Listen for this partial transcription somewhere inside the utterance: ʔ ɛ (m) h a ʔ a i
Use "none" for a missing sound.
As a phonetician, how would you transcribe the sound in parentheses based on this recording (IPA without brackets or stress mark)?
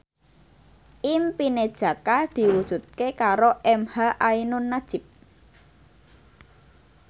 m